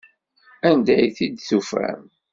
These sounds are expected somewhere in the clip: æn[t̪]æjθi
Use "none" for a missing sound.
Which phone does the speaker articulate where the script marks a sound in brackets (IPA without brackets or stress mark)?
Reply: d̪